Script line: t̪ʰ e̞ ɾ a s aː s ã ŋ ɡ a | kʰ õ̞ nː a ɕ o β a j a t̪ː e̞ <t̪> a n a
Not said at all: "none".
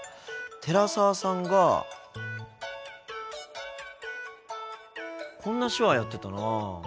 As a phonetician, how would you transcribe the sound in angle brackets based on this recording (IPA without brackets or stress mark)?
t̪